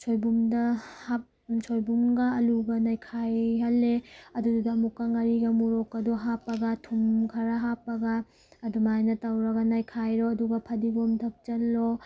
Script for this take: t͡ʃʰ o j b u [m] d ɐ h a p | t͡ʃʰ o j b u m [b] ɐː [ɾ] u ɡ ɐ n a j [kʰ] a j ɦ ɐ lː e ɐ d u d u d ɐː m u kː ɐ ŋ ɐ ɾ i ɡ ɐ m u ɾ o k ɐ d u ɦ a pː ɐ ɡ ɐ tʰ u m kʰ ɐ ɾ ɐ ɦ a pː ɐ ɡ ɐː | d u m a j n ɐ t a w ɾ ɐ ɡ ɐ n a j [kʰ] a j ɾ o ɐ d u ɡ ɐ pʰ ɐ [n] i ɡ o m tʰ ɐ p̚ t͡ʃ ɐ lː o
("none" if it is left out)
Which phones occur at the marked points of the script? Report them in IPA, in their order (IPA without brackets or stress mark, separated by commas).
m, ɡ, l, kʰ, kʰ, d